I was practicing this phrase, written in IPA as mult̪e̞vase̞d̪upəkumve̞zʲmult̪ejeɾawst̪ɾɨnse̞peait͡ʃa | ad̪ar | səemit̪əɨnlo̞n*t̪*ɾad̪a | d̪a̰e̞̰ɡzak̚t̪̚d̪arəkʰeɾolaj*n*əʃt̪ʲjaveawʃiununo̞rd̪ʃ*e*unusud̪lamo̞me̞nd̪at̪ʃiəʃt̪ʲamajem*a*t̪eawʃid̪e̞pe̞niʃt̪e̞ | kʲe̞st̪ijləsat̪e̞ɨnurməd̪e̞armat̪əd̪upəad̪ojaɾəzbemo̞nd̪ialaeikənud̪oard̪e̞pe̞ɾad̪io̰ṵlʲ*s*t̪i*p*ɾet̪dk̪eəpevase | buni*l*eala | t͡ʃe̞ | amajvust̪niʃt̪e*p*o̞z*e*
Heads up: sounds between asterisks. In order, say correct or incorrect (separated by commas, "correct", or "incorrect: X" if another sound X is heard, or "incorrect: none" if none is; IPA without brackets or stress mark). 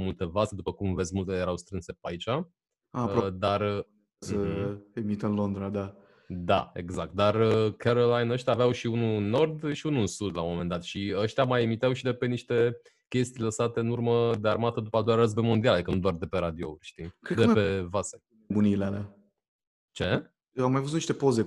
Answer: incorrect: d̪, correct, incorrect: i, incorrect: i, incorrect: ʃ, incorrect: k, correct, correct, correct